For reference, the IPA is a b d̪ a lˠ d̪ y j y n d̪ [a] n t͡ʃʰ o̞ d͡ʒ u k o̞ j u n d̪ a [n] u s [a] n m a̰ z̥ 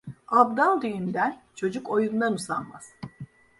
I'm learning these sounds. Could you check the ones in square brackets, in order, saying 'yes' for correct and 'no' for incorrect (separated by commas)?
no, yes, yes